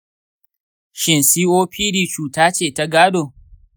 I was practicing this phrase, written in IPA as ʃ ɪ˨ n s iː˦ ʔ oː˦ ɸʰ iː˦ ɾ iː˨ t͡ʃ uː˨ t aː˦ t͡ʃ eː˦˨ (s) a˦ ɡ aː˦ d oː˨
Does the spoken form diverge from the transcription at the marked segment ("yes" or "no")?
yes